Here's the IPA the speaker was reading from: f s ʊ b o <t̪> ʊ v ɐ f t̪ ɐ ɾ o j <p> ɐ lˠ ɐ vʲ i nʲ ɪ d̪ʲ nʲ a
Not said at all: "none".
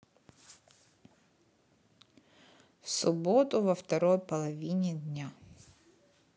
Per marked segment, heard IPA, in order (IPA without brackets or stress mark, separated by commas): t̪, p